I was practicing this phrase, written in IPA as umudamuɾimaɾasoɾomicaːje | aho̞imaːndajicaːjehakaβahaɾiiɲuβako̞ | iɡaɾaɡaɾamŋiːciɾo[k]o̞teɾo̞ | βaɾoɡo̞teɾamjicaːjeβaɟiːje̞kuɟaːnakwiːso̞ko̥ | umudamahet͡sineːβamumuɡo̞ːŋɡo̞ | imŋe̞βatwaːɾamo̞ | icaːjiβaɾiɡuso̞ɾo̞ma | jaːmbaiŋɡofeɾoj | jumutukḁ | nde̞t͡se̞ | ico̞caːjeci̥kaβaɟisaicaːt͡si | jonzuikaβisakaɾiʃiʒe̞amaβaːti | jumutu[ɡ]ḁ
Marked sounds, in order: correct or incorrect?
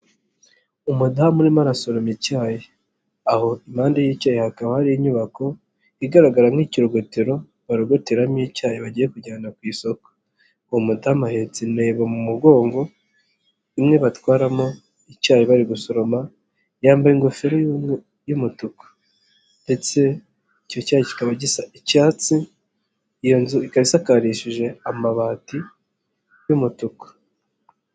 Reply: incorrect: ɡ, incorrect: k

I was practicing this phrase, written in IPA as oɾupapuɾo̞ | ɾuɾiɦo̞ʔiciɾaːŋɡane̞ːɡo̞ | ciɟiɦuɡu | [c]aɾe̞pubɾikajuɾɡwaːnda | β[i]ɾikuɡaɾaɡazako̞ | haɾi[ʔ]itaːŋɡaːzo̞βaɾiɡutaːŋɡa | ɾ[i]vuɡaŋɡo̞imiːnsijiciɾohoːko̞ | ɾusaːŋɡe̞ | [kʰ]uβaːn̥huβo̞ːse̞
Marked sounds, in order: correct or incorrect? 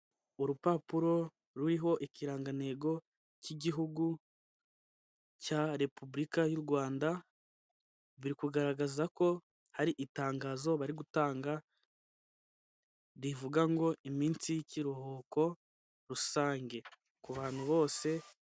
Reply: correct, correct, correct, correct, incorrect: k

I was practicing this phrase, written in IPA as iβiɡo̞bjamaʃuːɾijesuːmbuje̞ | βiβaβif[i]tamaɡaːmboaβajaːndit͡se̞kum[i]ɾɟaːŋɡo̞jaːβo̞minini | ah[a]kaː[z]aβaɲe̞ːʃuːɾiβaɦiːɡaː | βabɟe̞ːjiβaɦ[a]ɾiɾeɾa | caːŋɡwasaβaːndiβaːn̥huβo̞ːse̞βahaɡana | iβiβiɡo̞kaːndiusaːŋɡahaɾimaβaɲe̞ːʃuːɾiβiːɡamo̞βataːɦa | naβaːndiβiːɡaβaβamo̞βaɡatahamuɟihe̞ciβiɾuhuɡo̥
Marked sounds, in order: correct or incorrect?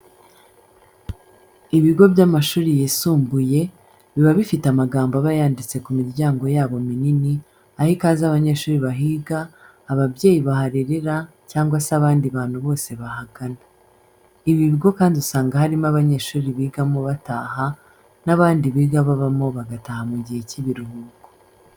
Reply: correct, correct, incorrect: i, correct, correct

